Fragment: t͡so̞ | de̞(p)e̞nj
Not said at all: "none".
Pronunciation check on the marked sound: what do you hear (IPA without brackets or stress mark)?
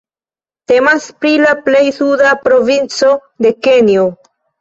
k